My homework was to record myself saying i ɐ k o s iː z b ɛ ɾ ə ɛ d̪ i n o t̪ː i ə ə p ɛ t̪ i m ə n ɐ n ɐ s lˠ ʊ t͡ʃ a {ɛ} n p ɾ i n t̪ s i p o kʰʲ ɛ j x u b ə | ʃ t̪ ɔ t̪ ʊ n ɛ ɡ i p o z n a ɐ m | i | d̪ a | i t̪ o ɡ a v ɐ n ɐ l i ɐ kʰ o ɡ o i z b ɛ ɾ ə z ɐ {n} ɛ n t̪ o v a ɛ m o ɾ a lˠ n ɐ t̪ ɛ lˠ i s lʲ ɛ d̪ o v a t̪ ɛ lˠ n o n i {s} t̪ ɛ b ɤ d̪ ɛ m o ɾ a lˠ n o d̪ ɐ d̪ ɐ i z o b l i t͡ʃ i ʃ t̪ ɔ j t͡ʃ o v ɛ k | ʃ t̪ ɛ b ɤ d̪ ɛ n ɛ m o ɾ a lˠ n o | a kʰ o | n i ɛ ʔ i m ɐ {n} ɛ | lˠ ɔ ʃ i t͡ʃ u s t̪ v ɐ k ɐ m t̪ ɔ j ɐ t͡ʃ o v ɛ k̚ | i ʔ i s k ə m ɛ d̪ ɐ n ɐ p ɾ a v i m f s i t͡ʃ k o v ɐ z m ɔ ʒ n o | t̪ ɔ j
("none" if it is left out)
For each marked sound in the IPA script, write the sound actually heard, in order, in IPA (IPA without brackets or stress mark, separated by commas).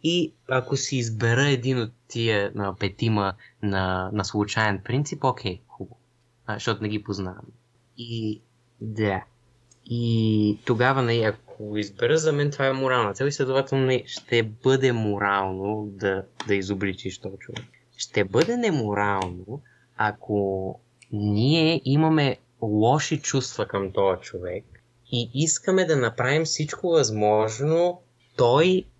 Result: ɛ, m, ʃ, m